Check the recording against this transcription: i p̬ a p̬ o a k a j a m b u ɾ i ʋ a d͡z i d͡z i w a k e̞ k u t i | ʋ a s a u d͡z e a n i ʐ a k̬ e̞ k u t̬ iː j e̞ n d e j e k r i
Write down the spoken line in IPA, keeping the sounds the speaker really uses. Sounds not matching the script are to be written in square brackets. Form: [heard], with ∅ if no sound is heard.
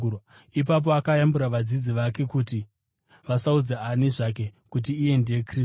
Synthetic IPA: i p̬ a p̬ o a k a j a m b u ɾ [a] ʋ a d͡z i d͡z i [ʋ] a k e̞ k u t i | ʋ a s a u d͡z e a n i ʐ a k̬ e̞ k u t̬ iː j e̞ n d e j e k r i